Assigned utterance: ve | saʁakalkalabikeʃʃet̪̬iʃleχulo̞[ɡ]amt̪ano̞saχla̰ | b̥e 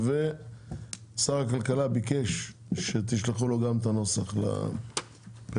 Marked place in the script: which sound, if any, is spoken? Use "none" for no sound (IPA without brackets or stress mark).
ɡ